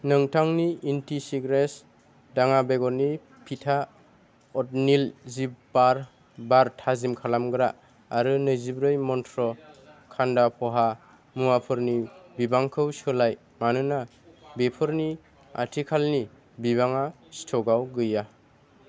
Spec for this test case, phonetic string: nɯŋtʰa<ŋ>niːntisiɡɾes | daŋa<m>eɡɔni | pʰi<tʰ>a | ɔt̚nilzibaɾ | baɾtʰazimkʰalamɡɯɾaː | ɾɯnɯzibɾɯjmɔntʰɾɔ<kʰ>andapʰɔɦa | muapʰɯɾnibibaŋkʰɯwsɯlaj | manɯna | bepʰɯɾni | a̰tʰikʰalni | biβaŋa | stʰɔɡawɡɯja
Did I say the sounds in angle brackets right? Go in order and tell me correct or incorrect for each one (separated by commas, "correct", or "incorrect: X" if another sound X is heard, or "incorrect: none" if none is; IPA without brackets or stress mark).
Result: correct, incorrect: b, correct, correct